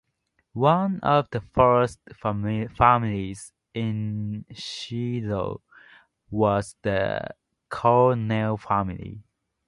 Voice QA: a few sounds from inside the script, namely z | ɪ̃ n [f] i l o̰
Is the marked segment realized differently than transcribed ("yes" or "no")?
yes